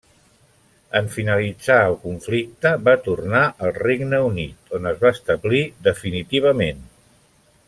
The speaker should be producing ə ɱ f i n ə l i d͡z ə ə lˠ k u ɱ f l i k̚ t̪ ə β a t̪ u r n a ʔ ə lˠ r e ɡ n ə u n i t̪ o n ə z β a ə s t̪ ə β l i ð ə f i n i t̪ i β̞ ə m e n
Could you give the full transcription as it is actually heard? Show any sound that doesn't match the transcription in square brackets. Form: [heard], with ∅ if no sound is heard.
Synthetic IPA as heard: ə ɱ f i n ə l i d͡z [a] ə lˠ k u ɱ f l i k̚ t̪ ə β a t̪ u r n a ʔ ə lˠ r e ɡ n ə u n i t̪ o n ə z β a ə s t̪ ə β l i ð ə f i n i t̪ i β̞ ə m e n